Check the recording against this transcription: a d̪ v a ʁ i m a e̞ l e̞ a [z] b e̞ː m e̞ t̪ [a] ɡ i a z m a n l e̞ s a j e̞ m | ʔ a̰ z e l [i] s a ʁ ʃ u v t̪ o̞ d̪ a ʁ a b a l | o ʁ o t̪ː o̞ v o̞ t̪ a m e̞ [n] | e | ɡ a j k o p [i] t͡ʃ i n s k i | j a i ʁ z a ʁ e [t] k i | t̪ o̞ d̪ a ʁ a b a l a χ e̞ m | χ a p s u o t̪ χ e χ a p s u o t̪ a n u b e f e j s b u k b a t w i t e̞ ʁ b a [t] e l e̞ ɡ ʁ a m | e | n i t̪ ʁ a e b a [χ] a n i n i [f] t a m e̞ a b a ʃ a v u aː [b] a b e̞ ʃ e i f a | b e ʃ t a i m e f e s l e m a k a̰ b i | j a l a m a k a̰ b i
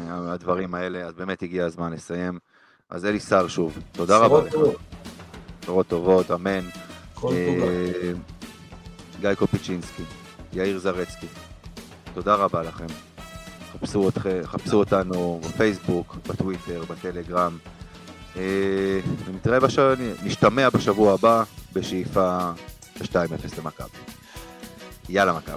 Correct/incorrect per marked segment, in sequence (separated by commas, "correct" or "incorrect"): correct, incorrect, correct, correct, correct, incorrect, correct, incorrect, incorrect, correct